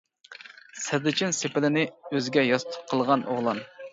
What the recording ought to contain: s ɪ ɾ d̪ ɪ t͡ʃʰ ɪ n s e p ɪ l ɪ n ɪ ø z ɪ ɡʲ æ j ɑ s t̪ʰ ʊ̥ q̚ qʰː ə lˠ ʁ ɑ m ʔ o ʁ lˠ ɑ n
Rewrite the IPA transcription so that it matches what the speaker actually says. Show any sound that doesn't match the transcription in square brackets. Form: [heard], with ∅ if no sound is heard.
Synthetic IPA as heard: s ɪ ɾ d̪ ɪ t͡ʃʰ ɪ n s e p ɪ l ɪ n ɪ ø z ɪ ɡʲ [ɛ] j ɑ s t̪ʰ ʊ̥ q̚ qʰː ə lˠ ʁ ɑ [n] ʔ o ʁ lˠ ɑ n